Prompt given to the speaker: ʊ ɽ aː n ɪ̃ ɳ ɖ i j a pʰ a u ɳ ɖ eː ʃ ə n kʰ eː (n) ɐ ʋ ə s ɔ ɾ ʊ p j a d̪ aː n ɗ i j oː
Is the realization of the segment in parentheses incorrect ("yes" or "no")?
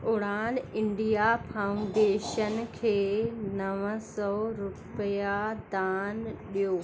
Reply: no